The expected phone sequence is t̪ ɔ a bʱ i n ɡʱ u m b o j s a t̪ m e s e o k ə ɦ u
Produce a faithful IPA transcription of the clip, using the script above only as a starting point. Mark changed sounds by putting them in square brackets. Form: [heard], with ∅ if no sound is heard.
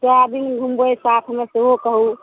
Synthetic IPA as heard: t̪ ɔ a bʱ i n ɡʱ u m b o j s a [t̪ʰ] m e s e o k ə ɦ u